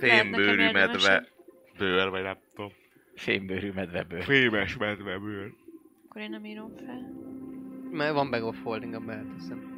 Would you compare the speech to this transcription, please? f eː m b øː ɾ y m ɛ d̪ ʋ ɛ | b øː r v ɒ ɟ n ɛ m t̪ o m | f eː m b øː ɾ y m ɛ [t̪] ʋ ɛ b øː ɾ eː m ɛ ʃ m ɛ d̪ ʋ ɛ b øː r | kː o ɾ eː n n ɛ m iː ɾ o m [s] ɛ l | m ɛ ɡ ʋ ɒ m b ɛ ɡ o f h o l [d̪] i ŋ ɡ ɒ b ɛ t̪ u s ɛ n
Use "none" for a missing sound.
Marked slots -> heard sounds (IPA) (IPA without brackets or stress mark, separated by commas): d̪, f, d̪